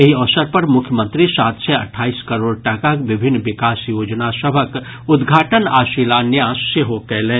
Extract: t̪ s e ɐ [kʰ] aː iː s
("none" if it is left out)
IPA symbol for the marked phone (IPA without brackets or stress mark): ʈʰ